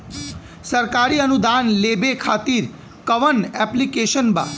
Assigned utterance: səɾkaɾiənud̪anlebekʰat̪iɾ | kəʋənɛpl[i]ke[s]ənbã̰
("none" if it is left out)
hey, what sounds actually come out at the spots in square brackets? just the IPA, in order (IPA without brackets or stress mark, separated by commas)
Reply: i, ʃ